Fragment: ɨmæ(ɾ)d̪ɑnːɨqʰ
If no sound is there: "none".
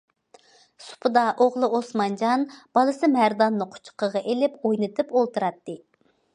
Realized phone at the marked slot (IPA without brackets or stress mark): ɾ